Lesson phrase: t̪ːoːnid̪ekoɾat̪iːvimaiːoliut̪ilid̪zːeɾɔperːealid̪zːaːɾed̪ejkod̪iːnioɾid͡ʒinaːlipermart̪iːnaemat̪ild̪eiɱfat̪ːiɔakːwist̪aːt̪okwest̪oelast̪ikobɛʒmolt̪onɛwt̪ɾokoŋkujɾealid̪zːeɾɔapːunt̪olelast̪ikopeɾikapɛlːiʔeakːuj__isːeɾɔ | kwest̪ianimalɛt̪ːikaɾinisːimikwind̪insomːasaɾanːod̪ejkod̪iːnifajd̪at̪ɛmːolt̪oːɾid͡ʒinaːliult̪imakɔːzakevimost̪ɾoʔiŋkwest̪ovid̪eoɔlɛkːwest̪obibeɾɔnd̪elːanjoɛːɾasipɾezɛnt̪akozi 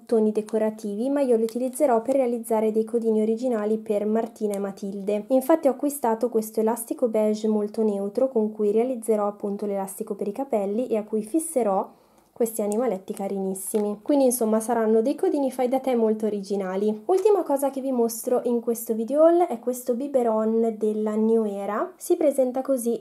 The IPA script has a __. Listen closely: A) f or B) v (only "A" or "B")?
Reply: A